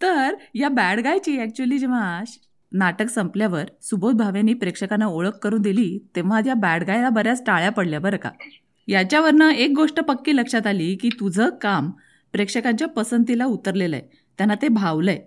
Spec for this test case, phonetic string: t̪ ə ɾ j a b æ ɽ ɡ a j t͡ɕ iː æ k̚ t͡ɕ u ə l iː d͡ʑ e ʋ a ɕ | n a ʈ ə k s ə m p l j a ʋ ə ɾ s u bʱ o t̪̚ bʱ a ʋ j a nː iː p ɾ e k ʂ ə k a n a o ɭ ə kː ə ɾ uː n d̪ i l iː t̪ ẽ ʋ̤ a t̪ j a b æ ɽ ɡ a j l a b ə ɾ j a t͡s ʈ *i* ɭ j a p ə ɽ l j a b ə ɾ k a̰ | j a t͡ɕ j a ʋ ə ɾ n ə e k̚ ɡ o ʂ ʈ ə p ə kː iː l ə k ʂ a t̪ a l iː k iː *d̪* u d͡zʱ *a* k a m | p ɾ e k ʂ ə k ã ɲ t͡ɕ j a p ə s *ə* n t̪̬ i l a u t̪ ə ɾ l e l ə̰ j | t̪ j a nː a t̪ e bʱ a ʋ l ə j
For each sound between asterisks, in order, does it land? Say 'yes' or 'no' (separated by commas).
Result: no, no, no, yes